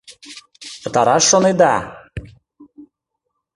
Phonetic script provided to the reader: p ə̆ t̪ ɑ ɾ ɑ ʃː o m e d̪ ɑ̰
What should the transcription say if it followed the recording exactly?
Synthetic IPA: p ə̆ t̪ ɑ ɾ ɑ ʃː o n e d̪ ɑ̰